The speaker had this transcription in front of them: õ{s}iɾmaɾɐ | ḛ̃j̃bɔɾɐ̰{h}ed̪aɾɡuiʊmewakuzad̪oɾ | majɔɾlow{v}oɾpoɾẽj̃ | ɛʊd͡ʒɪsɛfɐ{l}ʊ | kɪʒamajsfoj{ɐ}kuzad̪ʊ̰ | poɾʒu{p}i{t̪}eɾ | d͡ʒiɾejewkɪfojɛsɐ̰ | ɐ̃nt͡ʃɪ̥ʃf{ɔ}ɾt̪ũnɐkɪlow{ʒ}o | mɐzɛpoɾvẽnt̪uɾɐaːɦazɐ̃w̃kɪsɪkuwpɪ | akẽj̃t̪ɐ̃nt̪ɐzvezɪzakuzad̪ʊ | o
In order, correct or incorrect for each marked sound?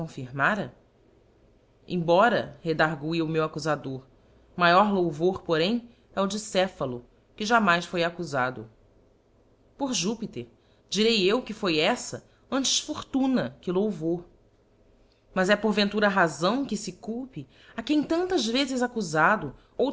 incorrect: f, correct, correct, correct, incorrect: a, correct, correct, incorrect: o, incorrect: v

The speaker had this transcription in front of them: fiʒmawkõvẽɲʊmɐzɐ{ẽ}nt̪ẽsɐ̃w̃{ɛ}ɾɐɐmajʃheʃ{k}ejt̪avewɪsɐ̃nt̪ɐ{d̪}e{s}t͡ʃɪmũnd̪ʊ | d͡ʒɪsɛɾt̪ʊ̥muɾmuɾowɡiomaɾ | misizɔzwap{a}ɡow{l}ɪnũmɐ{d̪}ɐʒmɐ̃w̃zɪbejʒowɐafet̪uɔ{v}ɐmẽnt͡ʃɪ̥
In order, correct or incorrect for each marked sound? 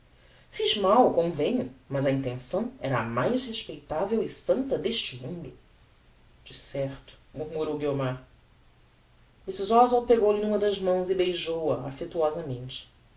incorrect: ĩ, correct, incorrect: p, correct, incorrect: ʃ, incorrect: e, correct, correct, incorrect: z

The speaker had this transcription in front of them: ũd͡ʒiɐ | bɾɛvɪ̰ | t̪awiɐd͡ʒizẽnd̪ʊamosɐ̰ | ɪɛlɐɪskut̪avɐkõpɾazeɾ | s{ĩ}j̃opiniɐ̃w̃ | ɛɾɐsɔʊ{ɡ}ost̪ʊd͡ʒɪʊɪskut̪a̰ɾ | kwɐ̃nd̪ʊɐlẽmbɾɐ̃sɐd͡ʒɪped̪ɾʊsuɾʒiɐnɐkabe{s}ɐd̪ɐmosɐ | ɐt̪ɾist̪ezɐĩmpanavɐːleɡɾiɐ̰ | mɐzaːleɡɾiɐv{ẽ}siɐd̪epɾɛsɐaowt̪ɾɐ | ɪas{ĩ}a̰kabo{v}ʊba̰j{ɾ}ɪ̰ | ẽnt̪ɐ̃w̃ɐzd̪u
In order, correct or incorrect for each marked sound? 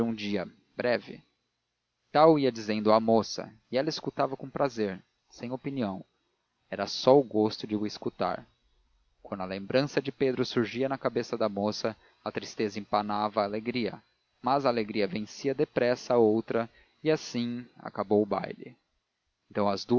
incorrect: ẽ, correct, correct, correct, correct, incorrect: w, incorrect: l

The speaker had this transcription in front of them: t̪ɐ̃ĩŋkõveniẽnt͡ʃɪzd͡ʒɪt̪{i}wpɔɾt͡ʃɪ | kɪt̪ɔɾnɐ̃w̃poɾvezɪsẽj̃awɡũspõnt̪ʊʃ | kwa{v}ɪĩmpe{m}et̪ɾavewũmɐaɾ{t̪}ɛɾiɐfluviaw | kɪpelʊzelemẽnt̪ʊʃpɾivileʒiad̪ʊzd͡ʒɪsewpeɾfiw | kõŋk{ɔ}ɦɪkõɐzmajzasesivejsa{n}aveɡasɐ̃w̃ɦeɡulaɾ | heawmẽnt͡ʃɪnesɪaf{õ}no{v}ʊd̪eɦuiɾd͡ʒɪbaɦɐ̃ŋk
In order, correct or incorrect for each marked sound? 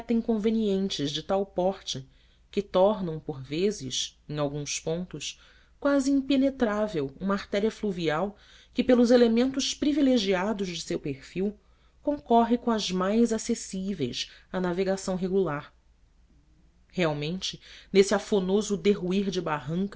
incorrect: a, incorrect: z, incorrect: n, correct, correct, correct, incorrect: o, incorrect: z

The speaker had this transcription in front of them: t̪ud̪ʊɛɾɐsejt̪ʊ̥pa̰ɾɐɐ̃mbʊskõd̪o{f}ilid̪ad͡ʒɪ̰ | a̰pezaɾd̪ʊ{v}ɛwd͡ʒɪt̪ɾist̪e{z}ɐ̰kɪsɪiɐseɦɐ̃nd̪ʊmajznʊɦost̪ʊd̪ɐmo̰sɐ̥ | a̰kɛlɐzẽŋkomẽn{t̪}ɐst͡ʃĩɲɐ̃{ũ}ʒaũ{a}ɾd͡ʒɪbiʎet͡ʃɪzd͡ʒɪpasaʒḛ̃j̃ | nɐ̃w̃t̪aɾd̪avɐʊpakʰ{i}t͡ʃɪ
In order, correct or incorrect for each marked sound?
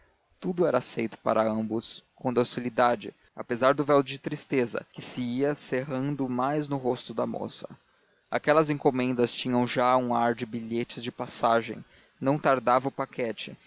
incorrect: s, correct, correct, incorrect: d̪, incorrect: w̃, correct, incorrect: ɛ

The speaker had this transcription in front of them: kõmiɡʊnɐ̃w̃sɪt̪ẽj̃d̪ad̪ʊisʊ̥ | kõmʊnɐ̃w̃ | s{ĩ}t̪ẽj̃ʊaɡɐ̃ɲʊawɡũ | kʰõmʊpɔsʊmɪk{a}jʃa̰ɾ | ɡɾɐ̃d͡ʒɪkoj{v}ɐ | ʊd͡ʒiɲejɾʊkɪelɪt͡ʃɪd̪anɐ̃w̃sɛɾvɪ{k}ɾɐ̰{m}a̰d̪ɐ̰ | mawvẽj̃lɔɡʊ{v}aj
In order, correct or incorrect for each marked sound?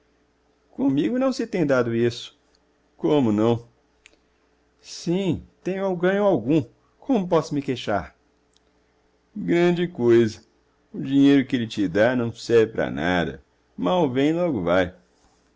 correct, incorrect: e, incorrect: z, incorrect: p, incorrect: n, correct

